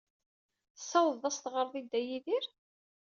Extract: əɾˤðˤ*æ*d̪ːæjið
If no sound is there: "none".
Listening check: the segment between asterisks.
i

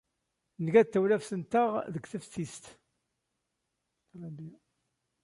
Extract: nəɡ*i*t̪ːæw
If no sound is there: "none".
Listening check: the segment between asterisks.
æ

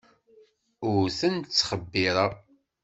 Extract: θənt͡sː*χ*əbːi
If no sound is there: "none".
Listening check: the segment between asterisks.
χ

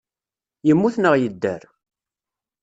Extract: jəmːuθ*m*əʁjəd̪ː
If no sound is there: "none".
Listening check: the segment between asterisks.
n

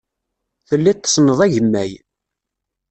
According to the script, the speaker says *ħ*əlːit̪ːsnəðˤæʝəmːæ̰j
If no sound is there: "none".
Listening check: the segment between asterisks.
θ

